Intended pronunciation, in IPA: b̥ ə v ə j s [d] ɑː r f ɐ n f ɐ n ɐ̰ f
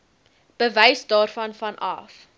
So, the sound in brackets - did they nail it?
yes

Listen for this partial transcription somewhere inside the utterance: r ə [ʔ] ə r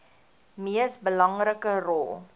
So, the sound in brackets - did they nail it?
no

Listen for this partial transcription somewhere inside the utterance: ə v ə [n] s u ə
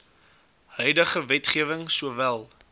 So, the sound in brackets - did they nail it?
no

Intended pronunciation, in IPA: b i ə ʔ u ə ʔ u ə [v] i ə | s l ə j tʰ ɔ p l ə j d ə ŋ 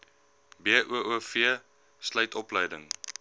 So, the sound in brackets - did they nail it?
no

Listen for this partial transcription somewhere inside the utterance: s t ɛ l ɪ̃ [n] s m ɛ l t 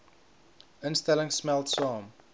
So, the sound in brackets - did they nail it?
no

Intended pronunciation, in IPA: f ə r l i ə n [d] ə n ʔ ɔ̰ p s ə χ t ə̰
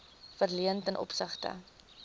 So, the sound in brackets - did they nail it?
no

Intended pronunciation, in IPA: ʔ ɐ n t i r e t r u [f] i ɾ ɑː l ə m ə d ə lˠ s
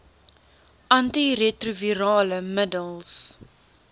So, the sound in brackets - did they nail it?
no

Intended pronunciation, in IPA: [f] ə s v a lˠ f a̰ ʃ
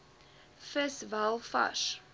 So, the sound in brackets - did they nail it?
yes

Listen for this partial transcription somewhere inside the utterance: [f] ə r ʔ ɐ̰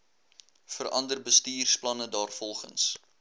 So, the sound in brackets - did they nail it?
yes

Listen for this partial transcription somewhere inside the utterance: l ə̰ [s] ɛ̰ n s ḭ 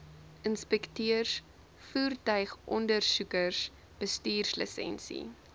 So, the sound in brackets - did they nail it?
yes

